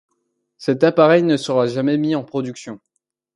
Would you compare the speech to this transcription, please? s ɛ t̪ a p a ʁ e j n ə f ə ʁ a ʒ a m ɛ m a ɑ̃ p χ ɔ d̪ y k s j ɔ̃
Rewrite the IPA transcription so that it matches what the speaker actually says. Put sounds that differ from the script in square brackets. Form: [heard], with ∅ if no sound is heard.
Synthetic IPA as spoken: s ɛ t̪ a p a ʁ [ɛ] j n ə [s] ə ʁ a ʒ a m ɛ m [i] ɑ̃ p χ ɔ d̪ y k s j ɔ̃

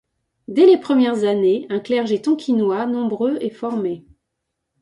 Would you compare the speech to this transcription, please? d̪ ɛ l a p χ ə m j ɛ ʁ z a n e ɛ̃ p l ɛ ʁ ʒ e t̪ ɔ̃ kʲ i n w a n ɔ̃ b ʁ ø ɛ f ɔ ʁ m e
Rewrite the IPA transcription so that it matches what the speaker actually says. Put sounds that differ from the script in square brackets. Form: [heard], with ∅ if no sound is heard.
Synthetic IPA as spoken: d̪ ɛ l [e] p χ ə m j ɛ ʁ z a n e ɛ̃ [k] l ɛ ʁ ʒ e t̪ ɔ̃ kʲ i n w a n ɔ̃ b ʁ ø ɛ f ɔ ʁ m e

